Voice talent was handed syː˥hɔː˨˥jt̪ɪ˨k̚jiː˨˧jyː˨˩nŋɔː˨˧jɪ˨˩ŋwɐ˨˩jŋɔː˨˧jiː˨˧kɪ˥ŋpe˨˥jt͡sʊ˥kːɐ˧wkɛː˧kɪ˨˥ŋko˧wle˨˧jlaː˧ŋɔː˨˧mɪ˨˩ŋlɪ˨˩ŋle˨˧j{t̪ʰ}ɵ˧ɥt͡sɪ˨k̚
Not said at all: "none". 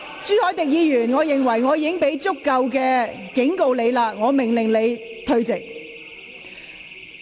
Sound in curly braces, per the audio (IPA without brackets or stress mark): t̪ʰ